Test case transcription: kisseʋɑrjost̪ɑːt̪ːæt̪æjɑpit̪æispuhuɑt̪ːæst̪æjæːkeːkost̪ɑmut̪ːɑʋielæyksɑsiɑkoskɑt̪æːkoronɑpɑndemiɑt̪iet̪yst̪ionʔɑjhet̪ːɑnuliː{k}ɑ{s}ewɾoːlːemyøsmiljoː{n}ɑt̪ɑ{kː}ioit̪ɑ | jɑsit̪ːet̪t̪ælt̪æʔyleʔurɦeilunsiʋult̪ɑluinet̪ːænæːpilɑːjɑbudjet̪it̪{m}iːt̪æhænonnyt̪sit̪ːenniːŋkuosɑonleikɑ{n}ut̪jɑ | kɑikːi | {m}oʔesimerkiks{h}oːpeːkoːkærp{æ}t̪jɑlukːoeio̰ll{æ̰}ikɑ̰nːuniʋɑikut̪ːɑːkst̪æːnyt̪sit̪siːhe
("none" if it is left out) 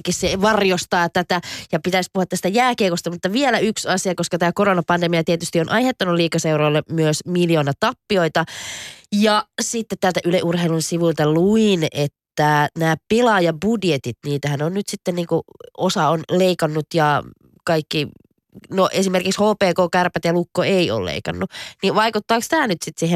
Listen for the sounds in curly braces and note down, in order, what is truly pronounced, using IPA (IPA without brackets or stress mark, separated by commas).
k, s, n, pː, n, nː, n, h, æ, ḛ